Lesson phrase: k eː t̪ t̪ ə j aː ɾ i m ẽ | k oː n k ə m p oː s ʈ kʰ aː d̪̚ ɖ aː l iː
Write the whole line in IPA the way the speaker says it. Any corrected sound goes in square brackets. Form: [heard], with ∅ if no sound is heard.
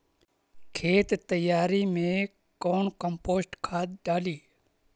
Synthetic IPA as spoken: [kʰ] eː t̪ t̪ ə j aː ɾ i m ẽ | k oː n k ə m p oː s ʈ kʰ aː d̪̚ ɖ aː l iː